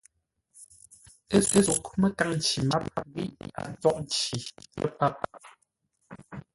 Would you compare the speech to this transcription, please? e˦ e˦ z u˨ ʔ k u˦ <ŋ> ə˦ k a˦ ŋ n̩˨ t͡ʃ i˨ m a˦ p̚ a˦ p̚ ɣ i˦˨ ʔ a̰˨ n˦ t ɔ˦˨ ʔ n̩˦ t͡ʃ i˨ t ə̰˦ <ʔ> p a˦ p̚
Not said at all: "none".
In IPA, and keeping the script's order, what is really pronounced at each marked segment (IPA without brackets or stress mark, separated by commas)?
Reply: m, none